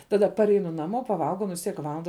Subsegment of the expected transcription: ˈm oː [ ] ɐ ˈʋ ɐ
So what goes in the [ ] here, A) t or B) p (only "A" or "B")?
B